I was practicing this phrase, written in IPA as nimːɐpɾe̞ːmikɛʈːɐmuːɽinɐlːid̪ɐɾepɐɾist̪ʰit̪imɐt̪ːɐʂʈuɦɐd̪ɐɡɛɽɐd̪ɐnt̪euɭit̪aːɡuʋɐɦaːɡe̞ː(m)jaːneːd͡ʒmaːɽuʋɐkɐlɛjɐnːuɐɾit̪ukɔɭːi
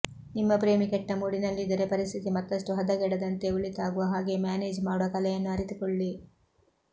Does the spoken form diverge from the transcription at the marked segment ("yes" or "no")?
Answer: no